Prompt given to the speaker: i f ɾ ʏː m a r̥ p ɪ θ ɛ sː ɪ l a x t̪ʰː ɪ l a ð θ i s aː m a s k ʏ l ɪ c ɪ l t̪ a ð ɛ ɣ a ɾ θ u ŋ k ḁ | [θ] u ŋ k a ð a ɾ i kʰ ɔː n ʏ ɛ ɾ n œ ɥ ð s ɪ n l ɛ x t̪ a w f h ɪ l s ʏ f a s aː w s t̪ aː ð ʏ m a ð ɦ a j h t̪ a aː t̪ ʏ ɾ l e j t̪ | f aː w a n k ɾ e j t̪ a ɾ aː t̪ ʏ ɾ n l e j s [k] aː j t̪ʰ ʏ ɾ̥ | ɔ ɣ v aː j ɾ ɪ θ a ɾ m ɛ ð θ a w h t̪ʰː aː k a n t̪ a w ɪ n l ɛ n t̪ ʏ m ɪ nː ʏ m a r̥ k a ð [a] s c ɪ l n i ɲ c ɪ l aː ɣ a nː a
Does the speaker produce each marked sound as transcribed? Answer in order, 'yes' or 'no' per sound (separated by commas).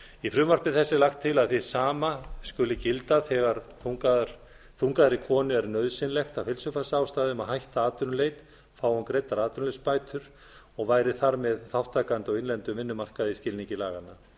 yes, no, no